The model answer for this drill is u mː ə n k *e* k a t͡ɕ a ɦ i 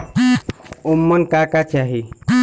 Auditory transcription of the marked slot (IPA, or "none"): a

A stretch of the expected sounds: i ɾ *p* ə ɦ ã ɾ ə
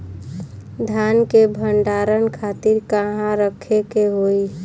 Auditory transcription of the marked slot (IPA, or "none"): k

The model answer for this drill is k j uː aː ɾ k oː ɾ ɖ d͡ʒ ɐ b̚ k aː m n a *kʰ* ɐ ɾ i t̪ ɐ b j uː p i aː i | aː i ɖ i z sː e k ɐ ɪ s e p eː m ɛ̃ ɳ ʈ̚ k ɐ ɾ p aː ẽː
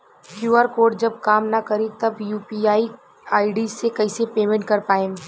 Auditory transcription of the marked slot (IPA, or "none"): k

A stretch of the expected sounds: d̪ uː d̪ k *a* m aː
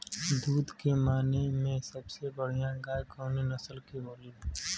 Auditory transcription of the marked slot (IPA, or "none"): e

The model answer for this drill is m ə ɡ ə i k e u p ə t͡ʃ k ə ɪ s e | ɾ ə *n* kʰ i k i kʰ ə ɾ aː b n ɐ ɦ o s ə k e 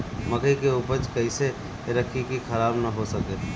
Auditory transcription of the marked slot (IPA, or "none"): none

